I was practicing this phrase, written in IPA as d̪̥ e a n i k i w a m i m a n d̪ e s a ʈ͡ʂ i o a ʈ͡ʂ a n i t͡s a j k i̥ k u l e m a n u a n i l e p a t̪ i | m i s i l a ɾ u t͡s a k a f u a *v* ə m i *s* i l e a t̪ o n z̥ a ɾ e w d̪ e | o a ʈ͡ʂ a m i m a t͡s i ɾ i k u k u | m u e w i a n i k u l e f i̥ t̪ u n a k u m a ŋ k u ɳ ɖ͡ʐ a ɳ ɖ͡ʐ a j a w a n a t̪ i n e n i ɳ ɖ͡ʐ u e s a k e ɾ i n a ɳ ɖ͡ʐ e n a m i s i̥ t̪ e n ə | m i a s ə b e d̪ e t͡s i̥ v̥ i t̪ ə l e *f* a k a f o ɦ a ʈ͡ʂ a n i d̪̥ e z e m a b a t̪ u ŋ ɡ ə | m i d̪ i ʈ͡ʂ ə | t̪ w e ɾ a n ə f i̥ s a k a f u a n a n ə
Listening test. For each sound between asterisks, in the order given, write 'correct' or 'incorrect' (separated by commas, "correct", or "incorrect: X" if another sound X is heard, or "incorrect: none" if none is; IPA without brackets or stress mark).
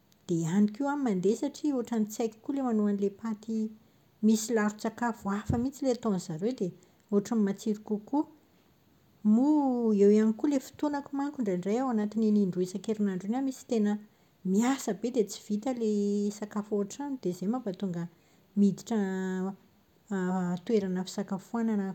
incorrect: f, incorrect: t͡s, incorrect: s